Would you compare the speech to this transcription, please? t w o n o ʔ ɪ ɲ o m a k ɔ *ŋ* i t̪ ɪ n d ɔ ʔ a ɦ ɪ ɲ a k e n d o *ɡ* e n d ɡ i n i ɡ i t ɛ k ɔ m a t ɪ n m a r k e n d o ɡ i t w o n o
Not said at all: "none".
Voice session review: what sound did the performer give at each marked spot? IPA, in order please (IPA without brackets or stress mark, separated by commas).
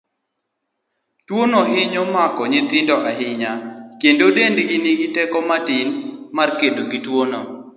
ɲ, d